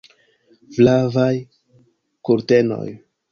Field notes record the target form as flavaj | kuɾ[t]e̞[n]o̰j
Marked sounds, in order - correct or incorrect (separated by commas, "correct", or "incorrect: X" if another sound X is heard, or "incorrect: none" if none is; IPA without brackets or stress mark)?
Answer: correct, correct